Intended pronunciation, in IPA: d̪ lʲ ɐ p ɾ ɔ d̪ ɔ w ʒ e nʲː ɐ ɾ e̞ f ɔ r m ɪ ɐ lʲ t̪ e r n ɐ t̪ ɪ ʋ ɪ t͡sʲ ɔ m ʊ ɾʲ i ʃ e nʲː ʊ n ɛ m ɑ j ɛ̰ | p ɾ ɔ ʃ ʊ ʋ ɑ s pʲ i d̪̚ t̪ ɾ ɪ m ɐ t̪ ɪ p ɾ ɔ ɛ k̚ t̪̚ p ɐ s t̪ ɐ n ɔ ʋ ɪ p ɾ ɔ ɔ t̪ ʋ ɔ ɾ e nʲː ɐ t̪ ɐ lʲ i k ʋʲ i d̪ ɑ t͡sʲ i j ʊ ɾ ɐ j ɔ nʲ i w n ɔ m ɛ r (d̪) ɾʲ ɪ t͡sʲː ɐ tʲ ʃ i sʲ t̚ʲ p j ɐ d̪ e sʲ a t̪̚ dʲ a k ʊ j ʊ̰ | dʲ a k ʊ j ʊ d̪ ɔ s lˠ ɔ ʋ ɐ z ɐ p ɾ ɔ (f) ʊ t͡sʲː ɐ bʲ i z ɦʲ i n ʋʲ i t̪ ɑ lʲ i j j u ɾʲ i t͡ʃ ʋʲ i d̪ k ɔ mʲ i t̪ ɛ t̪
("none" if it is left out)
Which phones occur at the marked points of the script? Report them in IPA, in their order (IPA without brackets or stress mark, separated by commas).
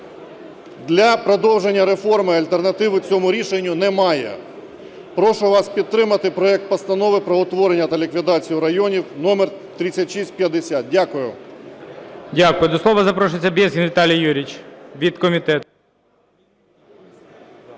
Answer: t̪, ʃ